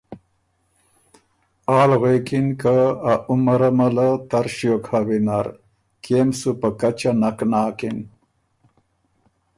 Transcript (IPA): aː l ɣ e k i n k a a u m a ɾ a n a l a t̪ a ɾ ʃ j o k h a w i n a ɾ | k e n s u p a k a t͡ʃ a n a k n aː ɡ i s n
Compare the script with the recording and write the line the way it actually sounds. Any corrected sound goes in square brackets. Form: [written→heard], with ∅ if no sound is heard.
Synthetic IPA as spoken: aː l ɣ e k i n k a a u m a ɾ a [n→m] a l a t̪ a ɾ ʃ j o k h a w i n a ɾ | k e [n→m] s u p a k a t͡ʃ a n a k n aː [ɡ→k] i [s→∅] n